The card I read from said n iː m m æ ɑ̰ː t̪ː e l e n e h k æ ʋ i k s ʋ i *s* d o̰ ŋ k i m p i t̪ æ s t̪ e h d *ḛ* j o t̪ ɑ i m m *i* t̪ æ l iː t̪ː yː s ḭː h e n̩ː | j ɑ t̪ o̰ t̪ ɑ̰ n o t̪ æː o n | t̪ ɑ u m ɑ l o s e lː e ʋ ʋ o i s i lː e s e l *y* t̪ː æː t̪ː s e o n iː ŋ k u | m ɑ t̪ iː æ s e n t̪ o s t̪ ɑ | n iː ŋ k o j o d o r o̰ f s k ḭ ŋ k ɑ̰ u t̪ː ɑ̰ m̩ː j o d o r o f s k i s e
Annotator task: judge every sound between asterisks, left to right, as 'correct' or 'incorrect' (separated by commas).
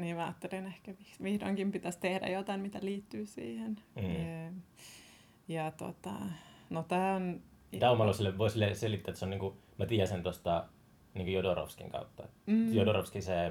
incorrect, incorrect, correct, incorrect